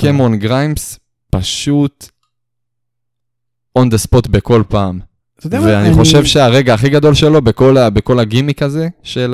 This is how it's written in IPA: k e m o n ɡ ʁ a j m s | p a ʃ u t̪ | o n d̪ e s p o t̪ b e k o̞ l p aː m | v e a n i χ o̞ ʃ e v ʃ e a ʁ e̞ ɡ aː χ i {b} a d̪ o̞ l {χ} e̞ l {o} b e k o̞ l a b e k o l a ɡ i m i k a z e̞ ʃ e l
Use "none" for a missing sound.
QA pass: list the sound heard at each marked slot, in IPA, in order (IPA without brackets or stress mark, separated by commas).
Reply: ɡ, ʃ, o